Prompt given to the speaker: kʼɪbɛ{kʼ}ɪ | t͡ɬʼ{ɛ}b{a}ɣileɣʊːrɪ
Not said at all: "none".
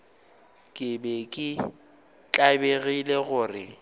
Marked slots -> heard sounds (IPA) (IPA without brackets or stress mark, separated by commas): kʼ, a, e